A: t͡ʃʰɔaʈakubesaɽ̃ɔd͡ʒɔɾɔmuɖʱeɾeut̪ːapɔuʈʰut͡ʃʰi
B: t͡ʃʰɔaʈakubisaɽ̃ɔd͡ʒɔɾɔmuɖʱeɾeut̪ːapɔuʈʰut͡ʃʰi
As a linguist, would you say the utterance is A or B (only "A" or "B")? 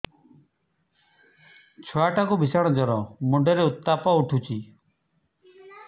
B